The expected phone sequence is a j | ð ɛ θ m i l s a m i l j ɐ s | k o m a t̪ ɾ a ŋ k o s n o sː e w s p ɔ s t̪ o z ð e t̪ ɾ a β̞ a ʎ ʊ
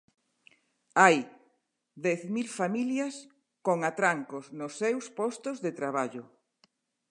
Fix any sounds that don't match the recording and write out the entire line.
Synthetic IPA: a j | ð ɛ θ m i l f a m i l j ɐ s | k o ŋ a t̪ ɾ a ŋ k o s n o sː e w s p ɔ s t̪ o z ð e t̪ ɾ a β̞ a ʎ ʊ